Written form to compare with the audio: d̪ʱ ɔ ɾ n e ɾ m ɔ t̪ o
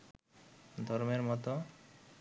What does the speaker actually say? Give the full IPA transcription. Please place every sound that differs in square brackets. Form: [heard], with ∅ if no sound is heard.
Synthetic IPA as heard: d̪ʱ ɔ ɾ [m] e ɾ m ɔ t̪ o

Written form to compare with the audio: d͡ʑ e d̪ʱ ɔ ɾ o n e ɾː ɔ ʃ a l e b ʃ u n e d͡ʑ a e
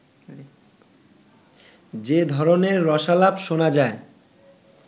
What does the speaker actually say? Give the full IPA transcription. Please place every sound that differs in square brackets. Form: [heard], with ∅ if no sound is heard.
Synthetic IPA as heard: d͡ʑ e d̪ʱ ɔ ɾ o n e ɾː ɔ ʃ a l [a] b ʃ [o] n [a] d͡ʑ a e

